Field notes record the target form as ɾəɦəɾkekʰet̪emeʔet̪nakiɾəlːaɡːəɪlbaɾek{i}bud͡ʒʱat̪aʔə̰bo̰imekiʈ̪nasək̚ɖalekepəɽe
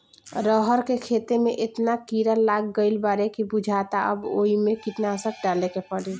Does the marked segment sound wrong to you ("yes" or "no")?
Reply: no